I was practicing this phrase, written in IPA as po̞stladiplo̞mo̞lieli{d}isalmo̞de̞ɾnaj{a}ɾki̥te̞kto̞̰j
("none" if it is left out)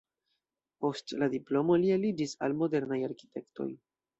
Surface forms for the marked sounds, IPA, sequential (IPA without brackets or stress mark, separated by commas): d͡ʒ, a